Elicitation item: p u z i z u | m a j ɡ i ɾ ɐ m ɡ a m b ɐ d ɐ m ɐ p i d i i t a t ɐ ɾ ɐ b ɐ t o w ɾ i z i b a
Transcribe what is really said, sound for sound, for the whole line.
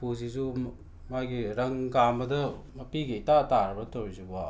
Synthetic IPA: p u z i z u | m a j ɡ i ɾ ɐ ŋ ɡ a m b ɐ d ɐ m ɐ p i ɡ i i t a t a ɾ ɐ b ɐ t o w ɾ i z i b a